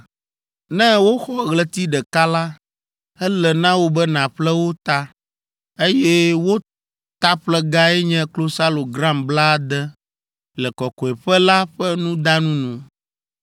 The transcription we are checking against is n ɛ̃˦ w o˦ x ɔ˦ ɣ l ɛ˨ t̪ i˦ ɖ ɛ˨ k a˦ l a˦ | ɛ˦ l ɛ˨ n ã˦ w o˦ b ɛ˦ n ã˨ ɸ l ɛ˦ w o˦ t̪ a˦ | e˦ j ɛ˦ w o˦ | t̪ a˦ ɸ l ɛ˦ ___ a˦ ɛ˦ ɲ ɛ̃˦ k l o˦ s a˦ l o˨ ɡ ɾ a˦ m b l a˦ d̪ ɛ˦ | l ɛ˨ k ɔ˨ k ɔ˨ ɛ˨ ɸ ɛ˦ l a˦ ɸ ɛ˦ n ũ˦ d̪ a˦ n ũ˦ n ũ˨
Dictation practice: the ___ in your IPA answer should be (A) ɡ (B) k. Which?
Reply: A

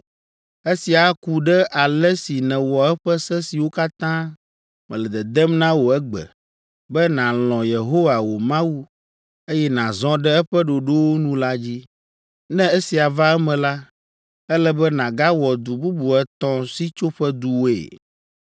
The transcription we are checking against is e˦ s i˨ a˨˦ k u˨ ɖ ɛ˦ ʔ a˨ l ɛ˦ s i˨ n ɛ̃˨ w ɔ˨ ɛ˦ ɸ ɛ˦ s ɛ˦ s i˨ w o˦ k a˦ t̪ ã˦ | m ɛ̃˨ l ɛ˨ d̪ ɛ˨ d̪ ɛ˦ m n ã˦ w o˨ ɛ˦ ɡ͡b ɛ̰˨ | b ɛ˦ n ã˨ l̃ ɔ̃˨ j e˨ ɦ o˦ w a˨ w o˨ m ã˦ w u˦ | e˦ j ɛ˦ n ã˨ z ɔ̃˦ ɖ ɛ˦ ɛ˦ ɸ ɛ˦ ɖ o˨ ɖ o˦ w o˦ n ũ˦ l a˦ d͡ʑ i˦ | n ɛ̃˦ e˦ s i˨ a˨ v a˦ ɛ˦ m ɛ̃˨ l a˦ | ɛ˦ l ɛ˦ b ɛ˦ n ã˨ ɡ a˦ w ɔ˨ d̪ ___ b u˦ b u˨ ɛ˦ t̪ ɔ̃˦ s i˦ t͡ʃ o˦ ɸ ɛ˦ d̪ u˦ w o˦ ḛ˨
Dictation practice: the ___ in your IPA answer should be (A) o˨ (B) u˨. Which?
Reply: B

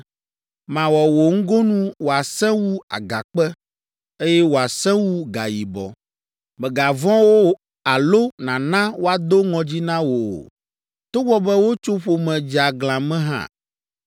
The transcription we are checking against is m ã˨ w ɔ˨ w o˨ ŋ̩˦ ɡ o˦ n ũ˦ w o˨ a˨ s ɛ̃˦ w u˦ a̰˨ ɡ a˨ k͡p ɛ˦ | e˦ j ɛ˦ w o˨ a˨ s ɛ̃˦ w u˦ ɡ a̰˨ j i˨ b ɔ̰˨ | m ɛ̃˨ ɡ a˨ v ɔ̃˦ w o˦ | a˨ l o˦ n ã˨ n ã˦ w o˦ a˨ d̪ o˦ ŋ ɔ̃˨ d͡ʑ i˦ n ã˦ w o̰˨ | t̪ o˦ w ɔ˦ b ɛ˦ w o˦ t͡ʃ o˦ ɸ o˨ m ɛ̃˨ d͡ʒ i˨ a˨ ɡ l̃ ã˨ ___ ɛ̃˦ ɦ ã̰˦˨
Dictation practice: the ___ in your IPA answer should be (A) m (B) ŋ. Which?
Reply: A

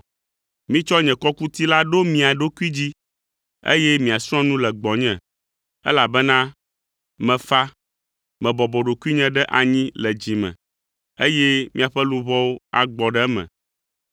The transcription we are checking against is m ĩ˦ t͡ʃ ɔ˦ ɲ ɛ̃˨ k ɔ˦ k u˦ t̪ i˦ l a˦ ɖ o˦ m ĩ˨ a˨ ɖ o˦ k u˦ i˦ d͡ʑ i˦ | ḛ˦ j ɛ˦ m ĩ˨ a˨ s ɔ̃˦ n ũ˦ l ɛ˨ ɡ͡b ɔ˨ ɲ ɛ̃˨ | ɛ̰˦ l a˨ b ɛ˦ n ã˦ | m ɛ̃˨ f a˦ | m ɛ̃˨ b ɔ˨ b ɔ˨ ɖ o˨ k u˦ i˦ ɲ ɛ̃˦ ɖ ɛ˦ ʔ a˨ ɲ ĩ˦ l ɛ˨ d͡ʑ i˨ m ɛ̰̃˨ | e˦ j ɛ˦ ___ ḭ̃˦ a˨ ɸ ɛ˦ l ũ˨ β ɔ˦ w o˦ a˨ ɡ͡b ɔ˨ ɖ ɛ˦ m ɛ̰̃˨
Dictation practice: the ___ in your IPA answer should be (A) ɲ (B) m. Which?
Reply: B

